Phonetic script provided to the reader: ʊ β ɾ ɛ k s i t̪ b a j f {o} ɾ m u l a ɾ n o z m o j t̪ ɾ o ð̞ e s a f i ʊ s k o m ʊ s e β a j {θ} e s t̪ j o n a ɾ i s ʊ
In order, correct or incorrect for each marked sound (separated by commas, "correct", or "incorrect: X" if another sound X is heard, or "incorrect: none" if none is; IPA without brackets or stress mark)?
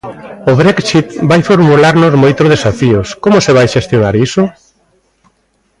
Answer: correct, incorrect: ʃ